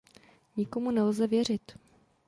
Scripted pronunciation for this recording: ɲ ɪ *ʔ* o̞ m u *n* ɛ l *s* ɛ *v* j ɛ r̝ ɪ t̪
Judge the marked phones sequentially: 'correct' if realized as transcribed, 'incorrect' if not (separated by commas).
incorrect, correct, incorrect, correct